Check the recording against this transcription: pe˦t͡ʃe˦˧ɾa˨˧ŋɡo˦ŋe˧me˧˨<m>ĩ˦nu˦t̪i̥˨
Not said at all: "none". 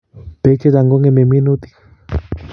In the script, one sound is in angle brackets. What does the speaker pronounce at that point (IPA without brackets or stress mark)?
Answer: m